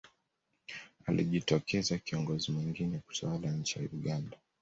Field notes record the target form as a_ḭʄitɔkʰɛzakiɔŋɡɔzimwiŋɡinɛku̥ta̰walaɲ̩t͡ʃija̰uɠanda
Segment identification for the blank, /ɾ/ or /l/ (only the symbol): l